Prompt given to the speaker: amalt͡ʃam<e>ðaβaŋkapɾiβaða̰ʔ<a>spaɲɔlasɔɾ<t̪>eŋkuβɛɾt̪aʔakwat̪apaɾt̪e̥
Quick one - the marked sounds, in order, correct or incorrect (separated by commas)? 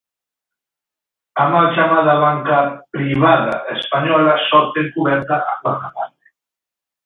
incorrect, incorrect, correct